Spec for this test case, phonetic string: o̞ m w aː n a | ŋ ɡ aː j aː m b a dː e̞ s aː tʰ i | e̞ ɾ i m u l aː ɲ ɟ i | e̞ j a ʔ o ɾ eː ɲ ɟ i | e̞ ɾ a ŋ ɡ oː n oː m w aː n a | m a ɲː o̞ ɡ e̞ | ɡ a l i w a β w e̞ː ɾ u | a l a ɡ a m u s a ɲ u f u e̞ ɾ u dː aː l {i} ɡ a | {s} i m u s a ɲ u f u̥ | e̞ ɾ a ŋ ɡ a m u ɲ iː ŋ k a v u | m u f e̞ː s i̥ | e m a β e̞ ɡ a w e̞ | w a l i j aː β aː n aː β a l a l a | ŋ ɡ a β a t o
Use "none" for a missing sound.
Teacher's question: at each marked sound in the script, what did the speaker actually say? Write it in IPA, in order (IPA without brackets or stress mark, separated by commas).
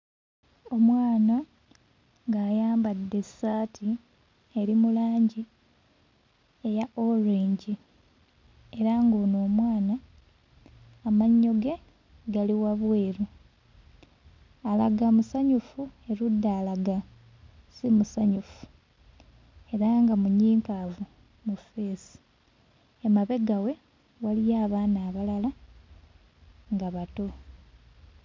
a, s